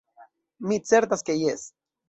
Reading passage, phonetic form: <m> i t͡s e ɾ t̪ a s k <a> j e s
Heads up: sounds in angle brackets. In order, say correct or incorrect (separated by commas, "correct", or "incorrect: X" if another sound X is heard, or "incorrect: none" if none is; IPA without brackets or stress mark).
correct, incorrect: e